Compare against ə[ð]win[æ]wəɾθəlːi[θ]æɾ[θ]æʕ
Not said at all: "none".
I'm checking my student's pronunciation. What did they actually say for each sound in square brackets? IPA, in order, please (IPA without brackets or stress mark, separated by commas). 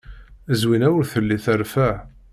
z, æ, θ, f